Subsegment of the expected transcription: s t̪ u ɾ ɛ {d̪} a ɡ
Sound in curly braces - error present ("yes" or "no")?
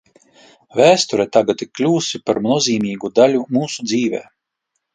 yes